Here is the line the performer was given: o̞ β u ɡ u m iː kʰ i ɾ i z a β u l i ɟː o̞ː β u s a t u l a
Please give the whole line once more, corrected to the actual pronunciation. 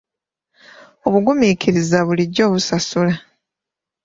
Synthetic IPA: o̞ β u ɡ u m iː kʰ i ɾ i z a β u l i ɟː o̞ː β u s a s u l a